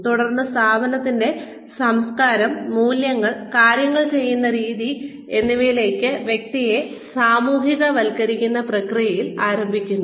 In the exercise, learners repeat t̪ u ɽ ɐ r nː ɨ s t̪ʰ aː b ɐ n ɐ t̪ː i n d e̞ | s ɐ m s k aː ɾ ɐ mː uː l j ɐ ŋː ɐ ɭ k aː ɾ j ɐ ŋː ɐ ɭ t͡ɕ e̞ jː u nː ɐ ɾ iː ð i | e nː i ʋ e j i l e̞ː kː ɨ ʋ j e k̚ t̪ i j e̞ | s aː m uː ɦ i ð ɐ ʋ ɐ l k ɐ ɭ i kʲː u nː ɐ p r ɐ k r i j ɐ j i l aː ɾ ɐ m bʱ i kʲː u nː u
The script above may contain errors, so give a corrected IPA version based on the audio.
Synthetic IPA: t̪ u ɽ ɐ r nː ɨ s t̪ʰ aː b ɐ n ɐ t̪ː i n d e̞ | s ɐ m s k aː ɾ ɐ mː uː l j ɐ ŋː ɐ ɭ k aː ɾ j ɐ ŋː ɐ ɭ t͡ɕ e̞ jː u nː ɐ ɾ iː ð i | e nː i ʋ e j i l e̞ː kː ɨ ʋ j e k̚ t̪ i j e̞ | s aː m uː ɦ i ɣ ɐ ʋ ɐ l k ɐ ɾ i kʲː u nː ɐ p r ɐ k r i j ɐ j i l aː ɾ ɐ m bʱ i kʲː u nː u

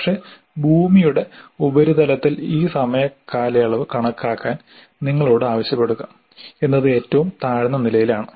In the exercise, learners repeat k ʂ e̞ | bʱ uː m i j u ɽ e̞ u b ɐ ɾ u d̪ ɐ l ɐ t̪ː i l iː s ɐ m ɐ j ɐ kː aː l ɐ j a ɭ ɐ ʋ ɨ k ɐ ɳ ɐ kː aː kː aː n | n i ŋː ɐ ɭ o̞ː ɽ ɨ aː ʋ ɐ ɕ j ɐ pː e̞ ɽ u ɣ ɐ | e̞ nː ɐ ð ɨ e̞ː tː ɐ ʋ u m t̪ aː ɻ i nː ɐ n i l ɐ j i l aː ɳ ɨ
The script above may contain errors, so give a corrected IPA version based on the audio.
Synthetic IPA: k ʂ e̞ | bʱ uː m i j u ɽ e̞ u b ɐ ɾ u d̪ ɐ l ɐ t̪ː i l iː s ɐ m ɐ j ɐ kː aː l ɐ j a ɭ ɐ ʋ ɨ k ɐ ɳ ɐ kː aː kː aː n | n i ŋː ɐ ɭ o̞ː ɽ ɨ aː ʋ ɐ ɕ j ɐ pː e̞ ɽ u ɣ ɐ | e̞ nː ɐ ð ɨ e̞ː tː ɐ ʋ u m t̪ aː ɻ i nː ɐ n i l ɐ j i l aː ɳ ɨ

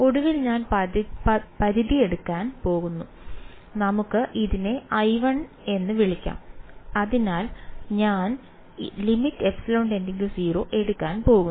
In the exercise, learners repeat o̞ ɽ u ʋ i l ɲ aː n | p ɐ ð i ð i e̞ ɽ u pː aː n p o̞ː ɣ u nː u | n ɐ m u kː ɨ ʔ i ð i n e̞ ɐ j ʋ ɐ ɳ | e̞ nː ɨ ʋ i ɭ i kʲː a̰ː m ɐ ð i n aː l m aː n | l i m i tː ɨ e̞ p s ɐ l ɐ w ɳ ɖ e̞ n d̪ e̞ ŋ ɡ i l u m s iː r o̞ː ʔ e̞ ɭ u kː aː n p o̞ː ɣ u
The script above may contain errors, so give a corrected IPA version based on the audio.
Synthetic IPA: o̞ ɽ u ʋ i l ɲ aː n | p ɐ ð i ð i e̞ ɽ u kː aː n p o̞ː ɣ u nː u | n ɐ m u kː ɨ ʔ i ð i n e̞ ɐ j ʋ ɐ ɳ | e̞ nː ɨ ʋ i ɭ i kʲː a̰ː m ɐ ð i n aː l ɲ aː n | l i m i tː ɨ e̞ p s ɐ l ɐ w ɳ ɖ e̞ n d̪ e̞ ŋ ɡ i l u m s iː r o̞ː ʔ e̞ ɽ u kː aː n p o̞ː ɣ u

